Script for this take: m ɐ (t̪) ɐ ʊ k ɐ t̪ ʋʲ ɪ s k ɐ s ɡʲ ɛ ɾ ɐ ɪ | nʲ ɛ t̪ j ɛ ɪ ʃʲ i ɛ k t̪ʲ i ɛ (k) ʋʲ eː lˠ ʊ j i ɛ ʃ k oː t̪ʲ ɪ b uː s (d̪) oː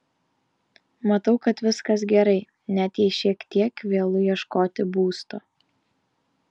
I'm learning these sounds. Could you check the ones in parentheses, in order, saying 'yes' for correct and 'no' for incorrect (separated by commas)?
yes, yes, no